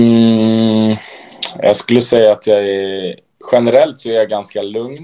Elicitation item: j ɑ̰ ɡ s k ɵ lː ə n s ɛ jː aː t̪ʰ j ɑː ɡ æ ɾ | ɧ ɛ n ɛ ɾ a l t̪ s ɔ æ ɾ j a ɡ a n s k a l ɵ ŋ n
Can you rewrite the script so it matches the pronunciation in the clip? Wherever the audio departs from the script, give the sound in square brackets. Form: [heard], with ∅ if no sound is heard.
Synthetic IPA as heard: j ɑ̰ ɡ s k ɵ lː ə [∅] s ɛ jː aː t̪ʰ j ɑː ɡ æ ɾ | ɧ ɛ n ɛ ɾ [ɛ] l t̪ s ɔ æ ɾ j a ɡ a n s k a l ɵ ŋ n